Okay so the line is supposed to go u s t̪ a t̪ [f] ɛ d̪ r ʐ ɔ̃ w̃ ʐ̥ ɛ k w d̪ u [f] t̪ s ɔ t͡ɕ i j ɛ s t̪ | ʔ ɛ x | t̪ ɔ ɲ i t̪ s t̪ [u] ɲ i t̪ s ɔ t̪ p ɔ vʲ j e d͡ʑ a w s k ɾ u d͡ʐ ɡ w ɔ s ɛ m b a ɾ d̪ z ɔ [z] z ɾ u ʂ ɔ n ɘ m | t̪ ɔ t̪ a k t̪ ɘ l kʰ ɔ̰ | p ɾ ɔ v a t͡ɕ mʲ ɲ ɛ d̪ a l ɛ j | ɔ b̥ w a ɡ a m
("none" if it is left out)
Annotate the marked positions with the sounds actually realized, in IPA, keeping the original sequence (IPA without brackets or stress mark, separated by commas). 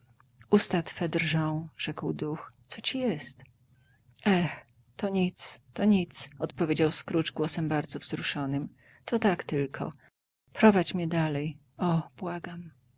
f, x, ɔ, v